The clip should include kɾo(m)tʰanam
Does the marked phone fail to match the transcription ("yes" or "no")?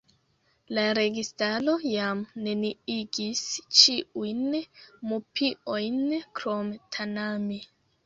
no